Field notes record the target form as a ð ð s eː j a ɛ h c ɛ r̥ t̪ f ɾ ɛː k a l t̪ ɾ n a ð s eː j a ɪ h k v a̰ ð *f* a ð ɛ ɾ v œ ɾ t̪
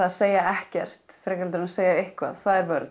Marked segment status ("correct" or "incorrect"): incorrect